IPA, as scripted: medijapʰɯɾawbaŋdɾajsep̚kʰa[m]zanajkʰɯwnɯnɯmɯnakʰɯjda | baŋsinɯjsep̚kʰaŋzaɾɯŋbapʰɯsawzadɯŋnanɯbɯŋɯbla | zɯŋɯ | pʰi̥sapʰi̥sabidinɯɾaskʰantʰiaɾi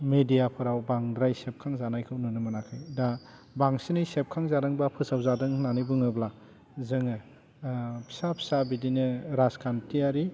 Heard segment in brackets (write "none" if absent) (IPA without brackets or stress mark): ŋ